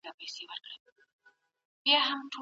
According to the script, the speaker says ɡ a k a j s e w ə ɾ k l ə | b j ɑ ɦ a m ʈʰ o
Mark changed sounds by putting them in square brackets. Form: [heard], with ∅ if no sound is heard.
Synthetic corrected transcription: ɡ a [p] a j s e w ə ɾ k [ɽ] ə | b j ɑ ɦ a m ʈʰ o